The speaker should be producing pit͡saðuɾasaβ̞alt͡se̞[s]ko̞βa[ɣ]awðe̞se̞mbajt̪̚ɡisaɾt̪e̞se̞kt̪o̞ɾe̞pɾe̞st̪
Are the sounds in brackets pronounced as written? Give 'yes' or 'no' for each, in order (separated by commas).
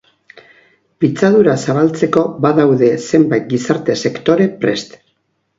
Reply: no, no